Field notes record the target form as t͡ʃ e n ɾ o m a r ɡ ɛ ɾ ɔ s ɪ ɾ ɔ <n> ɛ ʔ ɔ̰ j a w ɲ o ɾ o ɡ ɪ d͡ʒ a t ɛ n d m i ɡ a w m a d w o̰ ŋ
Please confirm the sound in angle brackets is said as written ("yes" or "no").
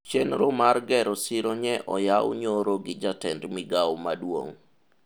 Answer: no